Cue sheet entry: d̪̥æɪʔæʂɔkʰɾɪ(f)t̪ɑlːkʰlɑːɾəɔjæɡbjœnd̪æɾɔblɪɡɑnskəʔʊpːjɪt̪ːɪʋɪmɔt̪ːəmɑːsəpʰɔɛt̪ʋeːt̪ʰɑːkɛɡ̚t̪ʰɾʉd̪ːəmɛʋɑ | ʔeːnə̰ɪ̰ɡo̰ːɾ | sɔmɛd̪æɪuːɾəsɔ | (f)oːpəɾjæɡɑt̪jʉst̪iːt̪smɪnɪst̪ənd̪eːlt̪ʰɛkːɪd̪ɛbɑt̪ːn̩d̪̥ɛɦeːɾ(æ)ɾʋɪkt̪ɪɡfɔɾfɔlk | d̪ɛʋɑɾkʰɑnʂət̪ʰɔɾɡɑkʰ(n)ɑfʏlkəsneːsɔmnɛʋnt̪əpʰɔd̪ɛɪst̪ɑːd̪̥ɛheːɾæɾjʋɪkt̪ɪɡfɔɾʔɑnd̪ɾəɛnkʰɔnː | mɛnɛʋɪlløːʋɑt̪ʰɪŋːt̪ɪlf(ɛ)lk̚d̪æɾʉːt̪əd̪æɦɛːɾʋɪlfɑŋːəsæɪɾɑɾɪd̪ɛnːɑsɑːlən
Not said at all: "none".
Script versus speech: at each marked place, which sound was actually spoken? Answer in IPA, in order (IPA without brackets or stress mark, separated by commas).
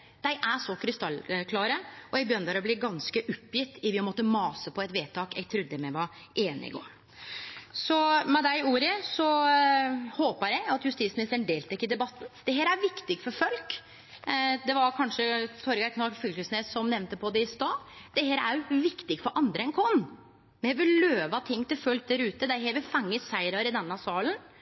s, h, æ, n, œ